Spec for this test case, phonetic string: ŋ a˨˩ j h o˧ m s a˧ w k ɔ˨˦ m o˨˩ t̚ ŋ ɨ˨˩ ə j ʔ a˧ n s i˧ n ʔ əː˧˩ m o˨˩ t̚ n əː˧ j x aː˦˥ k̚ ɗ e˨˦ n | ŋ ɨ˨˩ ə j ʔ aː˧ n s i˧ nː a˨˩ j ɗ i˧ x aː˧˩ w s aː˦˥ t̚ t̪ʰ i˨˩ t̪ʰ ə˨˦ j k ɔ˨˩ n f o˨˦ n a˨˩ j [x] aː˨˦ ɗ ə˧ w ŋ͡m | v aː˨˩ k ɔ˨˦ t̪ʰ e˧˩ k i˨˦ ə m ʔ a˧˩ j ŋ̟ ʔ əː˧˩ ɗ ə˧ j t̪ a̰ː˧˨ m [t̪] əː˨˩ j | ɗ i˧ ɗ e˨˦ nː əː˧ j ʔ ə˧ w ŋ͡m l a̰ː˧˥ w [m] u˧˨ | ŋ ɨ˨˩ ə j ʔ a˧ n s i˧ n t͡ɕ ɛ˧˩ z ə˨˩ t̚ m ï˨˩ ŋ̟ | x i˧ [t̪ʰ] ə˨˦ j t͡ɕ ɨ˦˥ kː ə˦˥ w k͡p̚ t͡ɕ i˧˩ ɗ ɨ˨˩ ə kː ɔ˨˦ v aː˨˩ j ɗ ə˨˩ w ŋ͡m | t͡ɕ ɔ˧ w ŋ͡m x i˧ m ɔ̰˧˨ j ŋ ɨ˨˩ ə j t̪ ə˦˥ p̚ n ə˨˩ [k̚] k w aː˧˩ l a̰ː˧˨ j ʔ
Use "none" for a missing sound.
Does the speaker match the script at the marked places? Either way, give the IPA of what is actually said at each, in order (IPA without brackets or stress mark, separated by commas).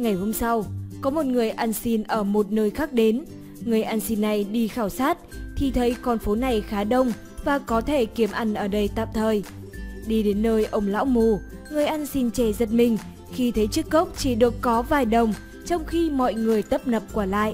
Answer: x, t̪ʰ, m, t̪ʰ, p̚